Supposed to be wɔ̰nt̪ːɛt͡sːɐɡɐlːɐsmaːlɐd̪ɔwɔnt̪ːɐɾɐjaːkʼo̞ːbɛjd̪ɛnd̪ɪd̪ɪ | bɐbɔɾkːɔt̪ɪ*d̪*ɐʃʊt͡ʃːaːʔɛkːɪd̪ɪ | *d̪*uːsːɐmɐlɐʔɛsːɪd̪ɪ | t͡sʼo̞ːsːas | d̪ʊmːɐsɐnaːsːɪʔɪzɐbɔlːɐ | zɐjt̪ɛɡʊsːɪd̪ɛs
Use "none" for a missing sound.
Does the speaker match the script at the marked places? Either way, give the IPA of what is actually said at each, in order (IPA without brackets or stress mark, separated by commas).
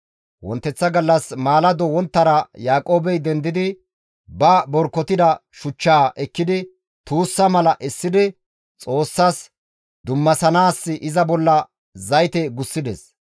d̪, t̪